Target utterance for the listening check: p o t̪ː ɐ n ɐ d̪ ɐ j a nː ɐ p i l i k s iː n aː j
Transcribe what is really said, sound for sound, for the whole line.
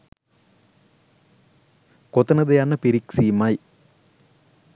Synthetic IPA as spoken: k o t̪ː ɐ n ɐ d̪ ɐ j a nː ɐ p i ɾ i k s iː m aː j